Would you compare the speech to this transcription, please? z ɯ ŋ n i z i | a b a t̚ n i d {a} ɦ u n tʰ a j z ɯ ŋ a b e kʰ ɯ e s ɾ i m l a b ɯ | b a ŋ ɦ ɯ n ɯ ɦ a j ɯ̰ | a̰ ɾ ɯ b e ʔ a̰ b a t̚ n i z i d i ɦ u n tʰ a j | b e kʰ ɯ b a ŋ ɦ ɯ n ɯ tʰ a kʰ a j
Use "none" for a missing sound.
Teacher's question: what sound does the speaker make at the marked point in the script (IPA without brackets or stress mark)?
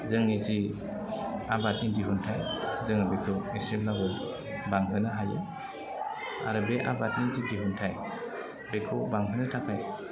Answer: i